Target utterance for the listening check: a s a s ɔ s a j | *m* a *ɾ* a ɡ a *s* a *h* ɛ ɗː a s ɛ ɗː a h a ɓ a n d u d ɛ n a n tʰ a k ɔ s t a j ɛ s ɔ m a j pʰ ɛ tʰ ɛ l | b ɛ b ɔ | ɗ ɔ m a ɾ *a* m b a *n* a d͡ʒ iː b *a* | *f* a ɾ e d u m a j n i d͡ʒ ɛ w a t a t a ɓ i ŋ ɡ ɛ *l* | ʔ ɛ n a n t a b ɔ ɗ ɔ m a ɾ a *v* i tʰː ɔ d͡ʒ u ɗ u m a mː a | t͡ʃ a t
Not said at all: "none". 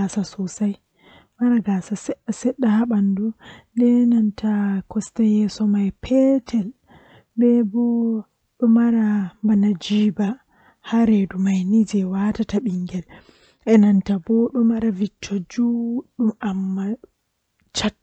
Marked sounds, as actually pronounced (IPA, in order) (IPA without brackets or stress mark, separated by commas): m, ɾ, s, s, a, n, a, h, l, v